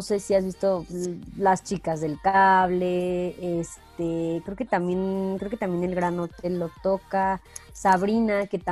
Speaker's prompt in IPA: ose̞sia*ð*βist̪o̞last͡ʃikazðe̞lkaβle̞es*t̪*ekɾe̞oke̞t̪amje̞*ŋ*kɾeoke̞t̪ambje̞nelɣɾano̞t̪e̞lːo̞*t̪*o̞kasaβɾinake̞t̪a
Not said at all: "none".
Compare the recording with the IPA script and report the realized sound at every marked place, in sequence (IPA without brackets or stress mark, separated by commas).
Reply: z, t̪, n, t̪